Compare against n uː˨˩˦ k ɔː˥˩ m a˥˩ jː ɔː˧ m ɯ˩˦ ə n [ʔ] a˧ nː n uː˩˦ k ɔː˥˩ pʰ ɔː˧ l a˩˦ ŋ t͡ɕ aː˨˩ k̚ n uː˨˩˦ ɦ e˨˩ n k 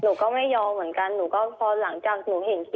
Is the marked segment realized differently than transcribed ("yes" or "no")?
yes